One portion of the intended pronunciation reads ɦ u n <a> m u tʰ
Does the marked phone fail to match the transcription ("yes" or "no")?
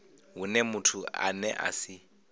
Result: yes